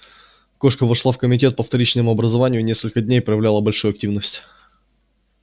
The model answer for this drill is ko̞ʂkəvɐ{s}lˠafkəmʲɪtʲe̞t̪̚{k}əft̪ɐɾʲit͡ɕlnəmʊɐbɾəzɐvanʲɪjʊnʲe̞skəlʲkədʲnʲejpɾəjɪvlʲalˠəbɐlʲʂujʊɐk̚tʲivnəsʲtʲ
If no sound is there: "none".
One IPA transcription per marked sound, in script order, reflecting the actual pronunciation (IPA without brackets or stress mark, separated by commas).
ʂ, p